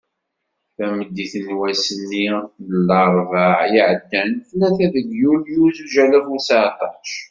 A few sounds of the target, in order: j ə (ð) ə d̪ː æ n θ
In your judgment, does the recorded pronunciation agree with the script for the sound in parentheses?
no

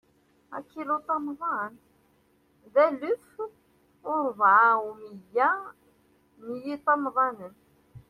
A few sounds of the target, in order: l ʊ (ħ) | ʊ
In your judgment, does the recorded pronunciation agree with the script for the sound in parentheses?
no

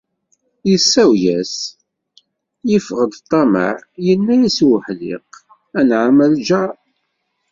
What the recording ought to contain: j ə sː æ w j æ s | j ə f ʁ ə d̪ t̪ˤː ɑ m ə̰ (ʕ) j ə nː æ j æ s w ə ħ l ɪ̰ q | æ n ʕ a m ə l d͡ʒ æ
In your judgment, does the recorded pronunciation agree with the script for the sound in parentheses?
yes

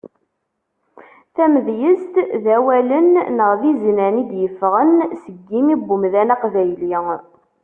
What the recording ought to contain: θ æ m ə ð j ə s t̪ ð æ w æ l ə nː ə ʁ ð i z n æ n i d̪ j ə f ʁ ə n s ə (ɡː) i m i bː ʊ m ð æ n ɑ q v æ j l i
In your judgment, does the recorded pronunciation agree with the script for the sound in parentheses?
yes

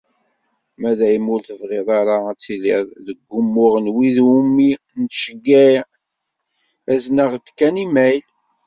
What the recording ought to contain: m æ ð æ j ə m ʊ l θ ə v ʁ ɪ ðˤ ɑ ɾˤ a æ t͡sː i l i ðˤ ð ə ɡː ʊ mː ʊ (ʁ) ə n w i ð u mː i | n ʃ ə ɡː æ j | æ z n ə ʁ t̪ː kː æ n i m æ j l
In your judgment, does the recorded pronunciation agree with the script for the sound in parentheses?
yes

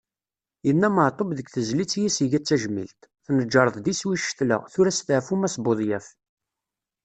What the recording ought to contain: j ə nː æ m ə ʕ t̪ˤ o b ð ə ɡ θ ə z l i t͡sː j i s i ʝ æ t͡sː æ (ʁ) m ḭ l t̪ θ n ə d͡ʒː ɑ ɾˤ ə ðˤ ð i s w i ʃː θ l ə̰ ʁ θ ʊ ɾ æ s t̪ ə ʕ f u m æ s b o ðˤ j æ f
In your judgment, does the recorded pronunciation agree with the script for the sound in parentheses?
no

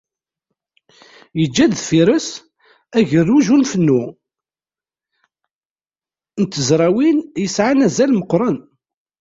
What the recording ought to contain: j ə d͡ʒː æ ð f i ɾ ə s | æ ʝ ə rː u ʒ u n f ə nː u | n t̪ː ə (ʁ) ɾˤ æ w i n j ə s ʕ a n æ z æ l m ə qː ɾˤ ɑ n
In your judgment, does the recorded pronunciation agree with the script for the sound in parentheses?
no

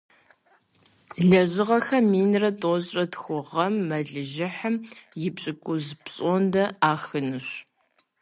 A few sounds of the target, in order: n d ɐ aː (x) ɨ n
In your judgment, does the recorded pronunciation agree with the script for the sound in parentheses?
yes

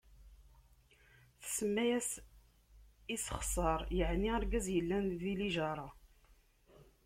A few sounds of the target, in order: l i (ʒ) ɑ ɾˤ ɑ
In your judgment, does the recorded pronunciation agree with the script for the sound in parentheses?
yes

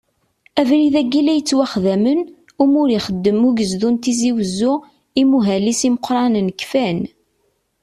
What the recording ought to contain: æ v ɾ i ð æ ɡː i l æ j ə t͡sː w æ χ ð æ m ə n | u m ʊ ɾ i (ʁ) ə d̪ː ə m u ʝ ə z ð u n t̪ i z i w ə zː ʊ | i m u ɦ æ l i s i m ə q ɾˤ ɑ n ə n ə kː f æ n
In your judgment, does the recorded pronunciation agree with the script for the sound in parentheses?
no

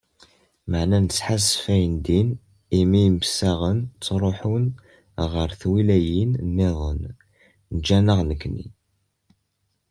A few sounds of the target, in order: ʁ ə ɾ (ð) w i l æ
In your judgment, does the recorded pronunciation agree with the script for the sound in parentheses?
no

